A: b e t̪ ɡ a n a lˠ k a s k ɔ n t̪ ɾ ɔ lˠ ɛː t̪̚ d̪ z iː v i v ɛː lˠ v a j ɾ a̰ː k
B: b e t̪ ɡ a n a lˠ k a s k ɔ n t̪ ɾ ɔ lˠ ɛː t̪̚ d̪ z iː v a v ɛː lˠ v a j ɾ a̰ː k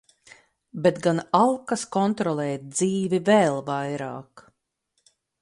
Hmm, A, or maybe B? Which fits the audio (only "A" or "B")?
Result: A